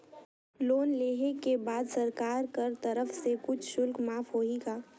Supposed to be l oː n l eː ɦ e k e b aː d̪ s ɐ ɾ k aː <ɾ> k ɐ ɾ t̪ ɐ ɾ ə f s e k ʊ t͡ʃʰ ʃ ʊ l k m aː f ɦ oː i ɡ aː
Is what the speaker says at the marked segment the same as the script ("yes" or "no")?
yes